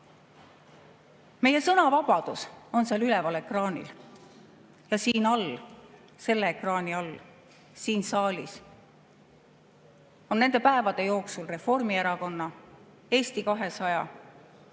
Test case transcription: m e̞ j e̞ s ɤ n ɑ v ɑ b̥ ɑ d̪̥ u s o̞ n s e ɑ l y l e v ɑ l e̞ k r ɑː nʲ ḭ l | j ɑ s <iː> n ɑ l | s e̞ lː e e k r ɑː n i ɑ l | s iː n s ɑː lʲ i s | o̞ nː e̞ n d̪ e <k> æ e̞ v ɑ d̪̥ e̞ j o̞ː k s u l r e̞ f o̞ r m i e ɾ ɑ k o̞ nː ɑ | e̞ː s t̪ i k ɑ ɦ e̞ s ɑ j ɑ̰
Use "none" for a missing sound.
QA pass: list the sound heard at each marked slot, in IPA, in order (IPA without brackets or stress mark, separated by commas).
iː, p